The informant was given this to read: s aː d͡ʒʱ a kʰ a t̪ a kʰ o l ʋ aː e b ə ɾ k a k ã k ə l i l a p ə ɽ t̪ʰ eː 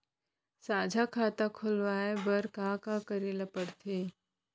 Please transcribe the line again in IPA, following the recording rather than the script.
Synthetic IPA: s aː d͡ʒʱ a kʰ a t̪ a kʰ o l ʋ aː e b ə ɾ k a k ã k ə ɾ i l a p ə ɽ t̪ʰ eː